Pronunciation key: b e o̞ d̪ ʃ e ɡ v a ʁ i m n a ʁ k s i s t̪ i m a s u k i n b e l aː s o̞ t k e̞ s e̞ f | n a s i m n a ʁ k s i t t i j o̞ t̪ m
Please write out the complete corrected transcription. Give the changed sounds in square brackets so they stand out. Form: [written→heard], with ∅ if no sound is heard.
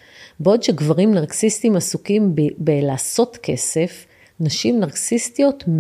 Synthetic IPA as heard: b e o̞ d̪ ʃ e ɡ v a ʁ i m n a ʁ k s i s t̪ i m a s u k i [n→m] b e l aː s o̞ t k e̞ s e̞ f | n a [s→ʃ] i m n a ʁ k s i [t→s] t i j o̞ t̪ m